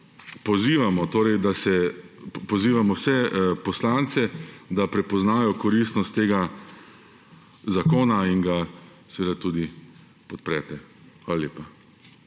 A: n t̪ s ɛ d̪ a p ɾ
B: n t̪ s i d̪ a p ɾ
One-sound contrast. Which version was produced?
A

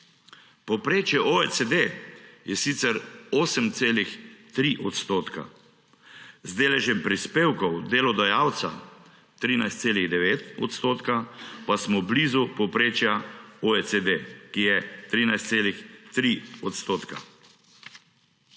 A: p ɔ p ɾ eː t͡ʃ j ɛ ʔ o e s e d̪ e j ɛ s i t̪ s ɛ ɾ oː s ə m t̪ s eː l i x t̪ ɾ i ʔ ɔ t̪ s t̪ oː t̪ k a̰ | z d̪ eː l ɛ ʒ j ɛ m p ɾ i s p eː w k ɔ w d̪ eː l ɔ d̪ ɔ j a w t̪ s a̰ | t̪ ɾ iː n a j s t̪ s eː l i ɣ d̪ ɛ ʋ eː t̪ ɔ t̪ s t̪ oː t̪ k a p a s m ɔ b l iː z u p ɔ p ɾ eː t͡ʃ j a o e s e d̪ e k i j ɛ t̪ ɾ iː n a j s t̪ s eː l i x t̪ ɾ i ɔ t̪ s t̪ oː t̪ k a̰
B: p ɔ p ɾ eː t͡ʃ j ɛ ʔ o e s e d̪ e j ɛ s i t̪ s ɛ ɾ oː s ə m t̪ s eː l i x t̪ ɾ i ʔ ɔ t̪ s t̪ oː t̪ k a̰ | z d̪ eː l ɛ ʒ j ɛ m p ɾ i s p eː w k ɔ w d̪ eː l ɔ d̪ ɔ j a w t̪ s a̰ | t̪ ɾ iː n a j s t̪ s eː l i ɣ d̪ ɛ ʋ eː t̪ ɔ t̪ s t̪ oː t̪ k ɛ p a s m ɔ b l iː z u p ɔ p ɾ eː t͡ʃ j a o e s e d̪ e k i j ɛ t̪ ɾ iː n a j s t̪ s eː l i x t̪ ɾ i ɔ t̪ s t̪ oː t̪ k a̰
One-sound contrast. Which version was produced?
A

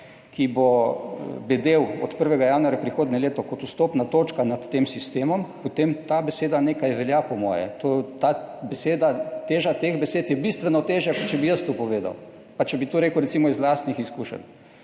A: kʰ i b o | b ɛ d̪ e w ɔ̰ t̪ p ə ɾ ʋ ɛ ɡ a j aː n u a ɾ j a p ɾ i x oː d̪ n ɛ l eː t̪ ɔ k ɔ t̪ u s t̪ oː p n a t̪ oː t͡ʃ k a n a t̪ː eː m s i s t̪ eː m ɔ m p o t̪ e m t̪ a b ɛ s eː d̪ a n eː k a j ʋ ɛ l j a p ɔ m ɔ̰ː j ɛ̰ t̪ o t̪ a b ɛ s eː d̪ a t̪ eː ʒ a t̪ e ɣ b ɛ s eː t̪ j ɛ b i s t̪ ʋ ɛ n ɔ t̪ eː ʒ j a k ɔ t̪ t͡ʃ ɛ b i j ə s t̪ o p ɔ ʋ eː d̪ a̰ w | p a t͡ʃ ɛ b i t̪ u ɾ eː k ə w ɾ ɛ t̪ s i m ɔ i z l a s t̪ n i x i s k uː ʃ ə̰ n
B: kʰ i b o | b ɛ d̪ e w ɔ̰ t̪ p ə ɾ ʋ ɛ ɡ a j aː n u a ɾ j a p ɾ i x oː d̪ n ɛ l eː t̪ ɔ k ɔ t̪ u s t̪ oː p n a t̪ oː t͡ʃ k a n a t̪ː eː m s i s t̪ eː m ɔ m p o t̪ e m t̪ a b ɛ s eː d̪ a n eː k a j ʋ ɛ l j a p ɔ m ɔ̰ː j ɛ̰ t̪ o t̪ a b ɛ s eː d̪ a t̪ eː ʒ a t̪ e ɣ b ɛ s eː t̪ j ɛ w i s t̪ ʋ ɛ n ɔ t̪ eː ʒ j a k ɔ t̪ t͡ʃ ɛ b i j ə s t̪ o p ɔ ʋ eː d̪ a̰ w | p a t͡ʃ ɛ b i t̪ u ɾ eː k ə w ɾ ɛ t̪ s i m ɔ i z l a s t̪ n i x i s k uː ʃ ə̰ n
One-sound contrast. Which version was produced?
A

